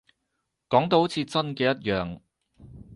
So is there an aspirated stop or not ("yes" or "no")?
yes